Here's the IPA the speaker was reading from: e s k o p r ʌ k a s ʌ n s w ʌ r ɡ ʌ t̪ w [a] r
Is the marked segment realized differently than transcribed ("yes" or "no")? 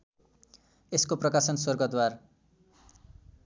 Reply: no